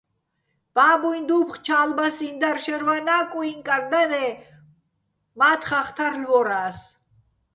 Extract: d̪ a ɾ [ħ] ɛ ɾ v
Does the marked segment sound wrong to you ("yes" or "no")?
yes